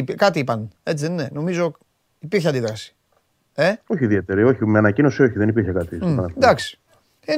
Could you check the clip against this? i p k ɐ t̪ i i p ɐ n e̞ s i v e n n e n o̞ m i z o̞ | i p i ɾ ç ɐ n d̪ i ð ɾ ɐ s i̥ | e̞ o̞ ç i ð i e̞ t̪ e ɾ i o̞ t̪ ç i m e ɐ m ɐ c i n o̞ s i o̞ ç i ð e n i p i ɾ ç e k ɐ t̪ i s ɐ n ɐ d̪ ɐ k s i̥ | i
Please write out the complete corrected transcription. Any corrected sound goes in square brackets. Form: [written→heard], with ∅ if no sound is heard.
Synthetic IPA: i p k ɐ t̪ i i p ɐ n e̞ [s→t͡s] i [v→ð] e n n e n o̞ m i z o̞ | i p i ɾ ç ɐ n d̪ i ð ɾ ɐ s i̥ | e̞ o̞ ç i ð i e̞ t̪ e ɾ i o̞ [t̪→∅] ç i m e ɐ [m→n] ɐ c i n o̞ s i o̞ ç i ð e n i p i ɾ ç e k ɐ t̪ i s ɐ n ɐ d̪ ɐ k s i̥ | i